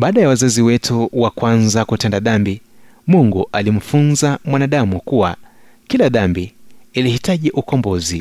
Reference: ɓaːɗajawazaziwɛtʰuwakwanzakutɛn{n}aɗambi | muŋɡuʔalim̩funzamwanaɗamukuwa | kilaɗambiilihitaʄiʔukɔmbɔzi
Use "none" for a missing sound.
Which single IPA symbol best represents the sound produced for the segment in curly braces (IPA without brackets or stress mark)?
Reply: d